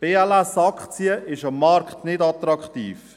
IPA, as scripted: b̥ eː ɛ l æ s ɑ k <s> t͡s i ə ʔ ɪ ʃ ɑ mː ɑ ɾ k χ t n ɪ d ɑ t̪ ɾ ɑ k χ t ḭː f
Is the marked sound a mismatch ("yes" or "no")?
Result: yes